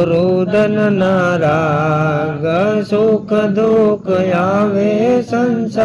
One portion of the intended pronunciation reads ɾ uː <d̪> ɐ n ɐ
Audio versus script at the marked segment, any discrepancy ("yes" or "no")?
no